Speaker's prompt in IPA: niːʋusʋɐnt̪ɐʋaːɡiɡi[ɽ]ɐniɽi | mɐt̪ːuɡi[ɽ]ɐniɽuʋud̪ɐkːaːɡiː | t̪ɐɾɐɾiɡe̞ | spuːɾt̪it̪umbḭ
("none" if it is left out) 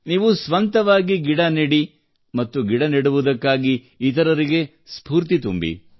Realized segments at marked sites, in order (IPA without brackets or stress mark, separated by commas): ɽ, ɽ